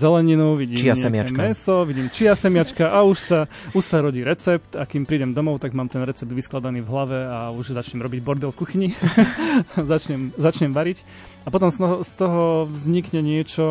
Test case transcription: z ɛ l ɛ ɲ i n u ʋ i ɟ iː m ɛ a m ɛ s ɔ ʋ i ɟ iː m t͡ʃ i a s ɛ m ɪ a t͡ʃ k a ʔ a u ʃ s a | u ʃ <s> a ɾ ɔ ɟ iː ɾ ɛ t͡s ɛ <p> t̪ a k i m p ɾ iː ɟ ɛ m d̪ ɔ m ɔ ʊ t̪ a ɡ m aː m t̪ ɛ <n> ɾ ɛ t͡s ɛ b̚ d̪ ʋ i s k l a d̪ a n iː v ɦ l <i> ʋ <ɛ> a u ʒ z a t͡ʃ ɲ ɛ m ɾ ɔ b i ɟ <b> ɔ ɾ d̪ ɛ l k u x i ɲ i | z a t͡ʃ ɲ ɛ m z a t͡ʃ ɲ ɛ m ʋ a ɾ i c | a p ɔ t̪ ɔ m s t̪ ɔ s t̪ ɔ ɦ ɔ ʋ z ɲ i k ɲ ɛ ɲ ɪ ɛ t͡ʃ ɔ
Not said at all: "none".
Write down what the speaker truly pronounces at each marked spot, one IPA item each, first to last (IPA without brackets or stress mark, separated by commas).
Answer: s, p, n, a, ɛ, b